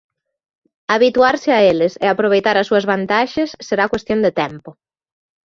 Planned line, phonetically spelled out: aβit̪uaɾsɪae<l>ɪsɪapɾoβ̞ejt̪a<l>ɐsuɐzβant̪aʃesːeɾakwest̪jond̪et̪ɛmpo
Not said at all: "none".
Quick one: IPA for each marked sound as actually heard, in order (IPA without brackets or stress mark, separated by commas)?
l, ɾ